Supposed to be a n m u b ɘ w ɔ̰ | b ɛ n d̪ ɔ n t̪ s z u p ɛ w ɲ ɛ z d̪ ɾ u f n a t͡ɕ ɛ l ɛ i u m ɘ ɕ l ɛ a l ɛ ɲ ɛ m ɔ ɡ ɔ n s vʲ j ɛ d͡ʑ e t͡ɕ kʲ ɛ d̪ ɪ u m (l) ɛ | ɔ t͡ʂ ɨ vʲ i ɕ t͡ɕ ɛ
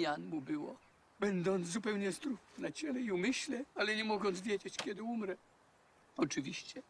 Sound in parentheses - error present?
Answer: yes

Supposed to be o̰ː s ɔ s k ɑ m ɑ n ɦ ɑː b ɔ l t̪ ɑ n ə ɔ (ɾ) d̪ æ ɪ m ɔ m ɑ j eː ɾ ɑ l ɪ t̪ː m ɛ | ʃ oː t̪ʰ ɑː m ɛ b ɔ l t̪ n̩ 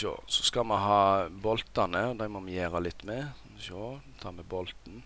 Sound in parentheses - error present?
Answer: yes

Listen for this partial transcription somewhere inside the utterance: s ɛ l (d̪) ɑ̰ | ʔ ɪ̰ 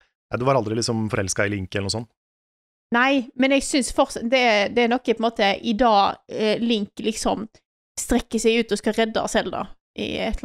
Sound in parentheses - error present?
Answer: no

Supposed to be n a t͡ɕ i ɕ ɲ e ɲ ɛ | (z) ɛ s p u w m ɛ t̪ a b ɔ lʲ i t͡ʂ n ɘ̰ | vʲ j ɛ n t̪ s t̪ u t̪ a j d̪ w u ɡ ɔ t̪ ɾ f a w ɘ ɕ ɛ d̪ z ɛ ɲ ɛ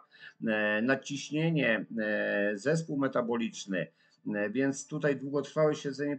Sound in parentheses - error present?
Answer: no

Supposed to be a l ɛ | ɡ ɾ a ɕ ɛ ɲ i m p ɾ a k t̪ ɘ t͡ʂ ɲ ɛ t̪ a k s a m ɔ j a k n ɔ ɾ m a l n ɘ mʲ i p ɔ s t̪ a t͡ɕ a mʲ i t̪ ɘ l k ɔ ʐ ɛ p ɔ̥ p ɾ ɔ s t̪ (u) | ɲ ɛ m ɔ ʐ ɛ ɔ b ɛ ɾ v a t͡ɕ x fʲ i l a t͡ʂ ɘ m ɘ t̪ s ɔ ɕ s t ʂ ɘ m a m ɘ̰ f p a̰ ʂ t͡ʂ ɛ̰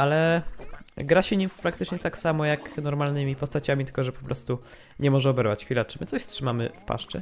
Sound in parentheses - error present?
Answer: no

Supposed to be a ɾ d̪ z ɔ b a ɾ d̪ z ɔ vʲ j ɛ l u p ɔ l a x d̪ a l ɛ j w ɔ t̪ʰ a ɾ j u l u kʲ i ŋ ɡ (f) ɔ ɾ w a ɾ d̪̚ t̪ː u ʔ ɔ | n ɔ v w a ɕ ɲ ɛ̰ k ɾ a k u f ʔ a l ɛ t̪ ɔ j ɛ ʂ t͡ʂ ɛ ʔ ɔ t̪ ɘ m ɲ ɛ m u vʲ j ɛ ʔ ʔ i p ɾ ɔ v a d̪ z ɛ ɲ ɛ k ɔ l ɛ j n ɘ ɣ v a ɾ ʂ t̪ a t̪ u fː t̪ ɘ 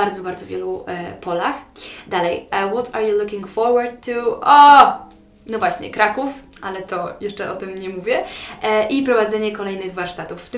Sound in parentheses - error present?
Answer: no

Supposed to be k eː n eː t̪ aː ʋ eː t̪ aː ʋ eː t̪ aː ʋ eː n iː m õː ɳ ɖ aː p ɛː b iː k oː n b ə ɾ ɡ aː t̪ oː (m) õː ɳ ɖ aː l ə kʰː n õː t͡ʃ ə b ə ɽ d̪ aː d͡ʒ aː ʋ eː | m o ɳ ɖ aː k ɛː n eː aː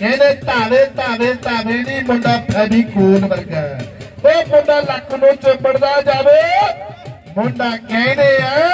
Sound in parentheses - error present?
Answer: no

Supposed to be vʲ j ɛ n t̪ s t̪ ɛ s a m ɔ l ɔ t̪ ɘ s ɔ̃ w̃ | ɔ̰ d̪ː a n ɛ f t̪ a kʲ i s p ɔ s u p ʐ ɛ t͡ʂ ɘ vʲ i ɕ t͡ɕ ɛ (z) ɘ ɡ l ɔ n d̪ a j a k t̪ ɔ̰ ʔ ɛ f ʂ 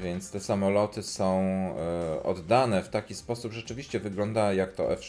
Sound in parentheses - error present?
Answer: yes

